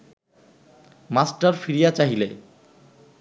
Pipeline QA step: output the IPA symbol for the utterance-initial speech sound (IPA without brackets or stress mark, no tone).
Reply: m